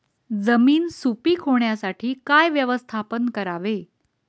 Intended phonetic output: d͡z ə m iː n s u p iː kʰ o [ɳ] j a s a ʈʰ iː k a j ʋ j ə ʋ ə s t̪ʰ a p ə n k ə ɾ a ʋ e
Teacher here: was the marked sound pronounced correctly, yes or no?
yes